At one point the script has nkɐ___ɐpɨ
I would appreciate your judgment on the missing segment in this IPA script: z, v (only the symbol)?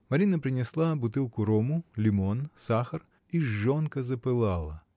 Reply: z